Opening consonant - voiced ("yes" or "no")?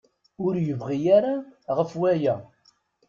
yes